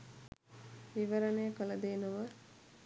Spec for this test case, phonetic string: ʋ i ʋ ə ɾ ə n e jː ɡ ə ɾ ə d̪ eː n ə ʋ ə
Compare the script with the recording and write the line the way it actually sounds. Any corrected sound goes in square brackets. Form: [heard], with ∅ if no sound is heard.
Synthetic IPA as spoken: ʋ i ʋ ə ɾ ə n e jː [k] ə [l] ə d̪ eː n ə ʋ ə